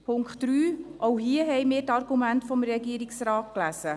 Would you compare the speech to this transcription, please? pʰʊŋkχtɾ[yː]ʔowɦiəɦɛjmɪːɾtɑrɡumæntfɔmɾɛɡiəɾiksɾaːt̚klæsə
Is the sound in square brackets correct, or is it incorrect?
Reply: correct